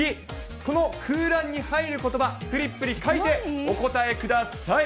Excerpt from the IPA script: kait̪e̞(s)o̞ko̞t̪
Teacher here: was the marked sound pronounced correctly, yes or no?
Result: no